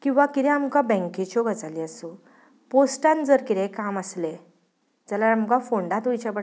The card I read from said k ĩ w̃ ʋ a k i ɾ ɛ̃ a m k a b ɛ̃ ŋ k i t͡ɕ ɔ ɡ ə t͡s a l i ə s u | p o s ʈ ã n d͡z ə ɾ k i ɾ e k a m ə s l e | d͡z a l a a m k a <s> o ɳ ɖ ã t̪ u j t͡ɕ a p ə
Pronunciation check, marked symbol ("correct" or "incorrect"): incorrect